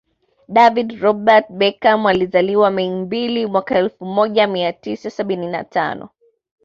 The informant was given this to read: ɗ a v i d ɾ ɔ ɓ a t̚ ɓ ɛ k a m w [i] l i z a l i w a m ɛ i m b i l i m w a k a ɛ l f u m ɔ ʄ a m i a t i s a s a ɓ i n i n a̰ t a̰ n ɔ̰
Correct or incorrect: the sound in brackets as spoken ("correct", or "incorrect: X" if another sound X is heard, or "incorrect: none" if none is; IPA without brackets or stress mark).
incorrect: a